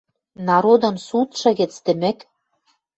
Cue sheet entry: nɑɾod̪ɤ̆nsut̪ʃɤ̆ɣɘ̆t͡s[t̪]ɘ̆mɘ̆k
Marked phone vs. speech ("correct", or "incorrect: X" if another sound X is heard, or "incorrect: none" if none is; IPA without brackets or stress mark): correct